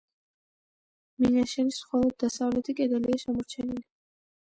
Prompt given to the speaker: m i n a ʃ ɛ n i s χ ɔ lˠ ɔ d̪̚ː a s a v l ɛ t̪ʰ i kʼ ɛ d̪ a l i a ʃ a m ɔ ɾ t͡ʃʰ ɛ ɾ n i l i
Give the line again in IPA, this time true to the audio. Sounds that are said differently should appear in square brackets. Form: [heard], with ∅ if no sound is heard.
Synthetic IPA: m i n a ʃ ɛ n i s χ ɔ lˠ ɔ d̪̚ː a s a v l ɛ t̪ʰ i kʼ ɛ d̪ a l i a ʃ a m ɔ ɾ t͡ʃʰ ɛ [∅] n i l i